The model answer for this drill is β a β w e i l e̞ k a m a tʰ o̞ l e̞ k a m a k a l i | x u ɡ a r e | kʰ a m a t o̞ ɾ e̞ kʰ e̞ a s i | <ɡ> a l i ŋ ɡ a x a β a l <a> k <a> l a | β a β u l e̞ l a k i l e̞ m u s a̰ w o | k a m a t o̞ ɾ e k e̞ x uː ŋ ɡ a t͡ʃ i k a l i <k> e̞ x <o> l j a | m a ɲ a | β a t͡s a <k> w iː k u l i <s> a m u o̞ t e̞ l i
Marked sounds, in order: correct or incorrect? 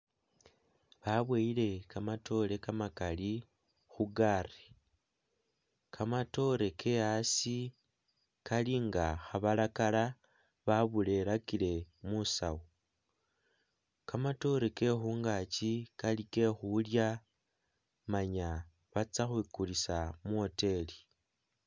incorrect, correct, correct, correct, incorrect, incorrect, correct

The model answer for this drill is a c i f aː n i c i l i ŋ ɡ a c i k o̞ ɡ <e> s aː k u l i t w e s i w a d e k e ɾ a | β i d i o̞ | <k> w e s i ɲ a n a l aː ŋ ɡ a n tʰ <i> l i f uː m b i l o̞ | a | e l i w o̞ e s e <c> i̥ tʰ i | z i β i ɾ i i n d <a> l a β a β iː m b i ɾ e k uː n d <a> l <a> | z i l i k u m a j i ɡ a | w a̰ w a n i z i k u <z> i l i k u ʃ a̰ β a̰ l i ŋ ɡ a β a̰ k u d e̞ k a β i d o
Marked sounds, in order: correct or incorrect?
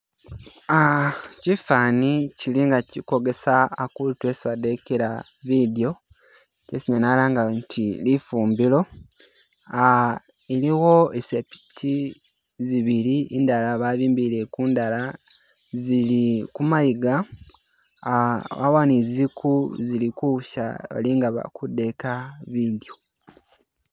correct, incorrect, correct, incorrect, correct, correct, correct, correct

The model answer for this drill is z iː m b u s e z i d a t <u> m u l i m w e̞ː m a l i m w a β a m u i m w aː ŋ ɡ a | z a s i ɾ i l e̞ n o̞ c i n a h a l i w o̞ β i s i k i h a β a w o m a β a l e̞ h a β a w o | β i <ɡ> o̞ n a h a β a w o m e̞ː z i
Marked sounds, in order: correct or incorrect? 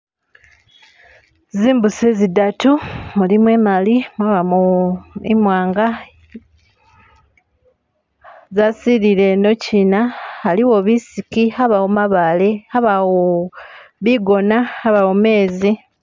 correct, correct

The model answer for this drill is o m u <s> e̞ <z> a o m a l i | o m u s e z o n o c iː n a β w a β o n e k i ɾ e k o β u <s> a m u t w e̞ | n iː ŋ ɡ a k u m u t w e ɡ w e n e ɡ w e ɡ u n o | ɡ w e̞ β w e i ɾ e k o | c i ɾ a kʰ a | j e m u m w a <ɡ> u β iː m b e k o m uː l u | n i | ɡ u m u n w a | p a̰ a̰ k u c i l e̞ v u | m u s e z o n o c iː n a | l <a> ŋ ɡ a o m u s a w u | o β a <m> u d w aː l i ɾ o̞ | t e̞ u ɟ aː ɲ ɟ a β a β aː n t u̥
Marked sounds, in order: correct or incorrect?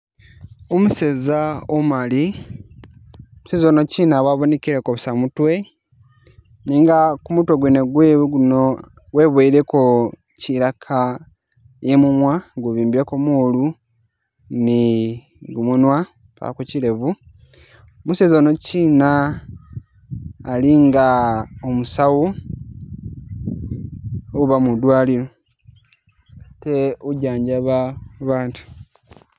correct, correct, correct, correct, incorrect, correct

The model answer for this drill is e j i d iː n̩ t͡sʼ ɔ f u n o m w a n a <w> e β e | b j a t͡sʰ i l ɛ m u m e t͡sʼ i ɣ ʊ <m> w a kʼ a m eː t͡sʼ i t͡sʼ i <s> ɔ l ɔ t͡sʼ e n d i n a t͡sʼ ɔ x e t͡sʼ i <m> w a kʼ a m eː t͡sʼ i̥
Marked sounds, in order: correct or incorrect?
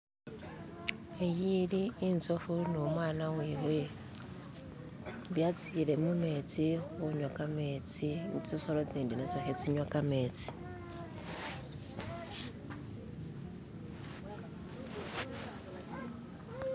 correct, incorrect, correct, incorrect

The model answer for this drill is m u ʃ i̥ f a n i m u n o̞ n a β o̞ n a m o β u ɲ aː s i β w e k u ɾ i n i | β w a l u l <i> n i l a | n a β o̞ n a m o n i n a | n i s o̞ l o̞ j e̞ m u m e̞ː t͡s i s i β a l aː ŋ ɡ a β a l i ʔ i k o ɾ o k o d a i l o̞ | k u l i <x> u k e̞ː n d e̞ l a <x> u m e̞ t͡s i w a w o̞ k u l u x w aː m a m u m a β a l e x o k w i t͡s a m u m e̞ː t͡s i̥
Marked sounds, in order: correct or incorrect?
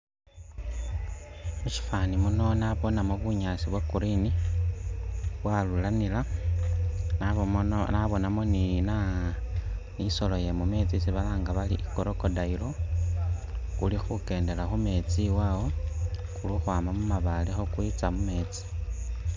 incorrect, correct, correct

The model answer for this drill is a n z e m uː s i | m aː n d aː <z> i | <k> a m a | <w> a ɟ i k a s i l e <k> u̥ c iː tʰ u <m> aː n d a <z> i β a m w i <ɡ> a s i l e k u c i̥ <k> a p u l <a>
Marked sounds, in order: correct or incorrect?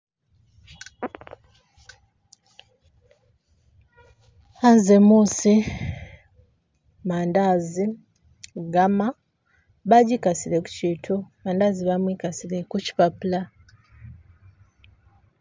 correct, incorrect, incorrect, correct, correct, correct, incorrect, incorrect, correct

